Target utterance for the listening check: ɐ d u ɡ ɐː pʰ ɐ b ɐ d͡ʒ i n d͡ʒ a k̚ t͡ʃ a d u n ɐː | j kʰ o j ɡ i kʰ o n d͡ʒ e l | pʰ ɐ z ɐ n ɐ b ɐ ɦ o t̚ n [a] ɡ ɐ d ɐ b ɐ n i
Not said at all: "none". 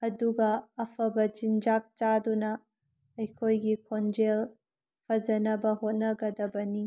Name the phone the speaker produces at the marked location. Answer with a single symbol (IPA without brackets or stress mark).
ɐ